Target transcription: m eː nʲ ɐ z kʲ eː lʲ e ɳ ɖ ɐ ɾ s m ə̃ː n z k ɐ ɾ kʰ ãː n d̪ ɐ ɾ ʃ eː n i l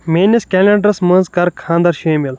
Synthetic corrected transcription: m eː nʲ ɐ s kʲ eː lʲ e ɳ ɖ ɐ ɾ s m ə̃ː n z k ɐ ɾ kʰ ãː n d̪ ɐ ɾ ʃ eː m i l